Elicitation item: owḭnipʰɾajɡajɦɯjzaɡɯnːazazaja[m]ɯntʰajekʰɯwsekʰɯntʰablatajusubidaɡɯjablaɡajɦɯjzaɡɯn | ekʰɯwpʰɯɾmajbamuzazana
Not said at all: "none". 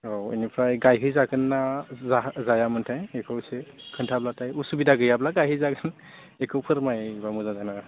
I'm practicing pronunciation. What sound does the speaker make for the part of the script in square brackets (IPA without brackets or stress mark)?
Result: m